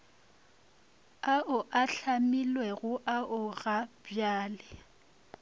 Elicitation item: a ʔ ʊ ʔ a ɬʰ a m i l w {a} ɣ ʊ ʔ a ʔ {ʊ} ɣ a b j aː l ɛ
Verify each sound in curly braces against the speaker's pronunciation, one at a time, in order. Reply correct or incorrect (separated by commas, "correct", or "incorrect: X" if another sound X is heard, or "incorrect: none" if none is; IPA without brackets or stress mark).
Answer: incorrect: ɛ, correct